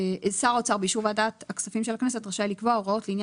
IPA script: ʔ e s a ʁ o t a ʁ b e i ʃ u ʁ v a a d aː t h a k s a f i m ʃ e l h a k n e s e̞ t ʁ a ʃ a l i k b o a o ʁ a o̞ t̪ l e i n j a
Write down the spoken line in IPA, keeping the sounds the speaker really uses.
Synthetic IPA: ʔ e s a ʁ o t͡s a ʁ b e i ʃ u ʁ v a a d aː t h a k s a f i m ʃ e l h a k n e s e̞ t ʁ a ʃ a l i k v o a o ʁ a o̞ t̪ l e i n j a